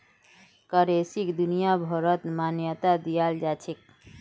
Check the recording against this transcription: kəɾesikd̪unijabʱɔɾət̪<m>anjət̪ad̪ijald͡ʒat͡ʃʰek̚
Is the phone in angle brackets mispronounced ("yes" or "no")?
no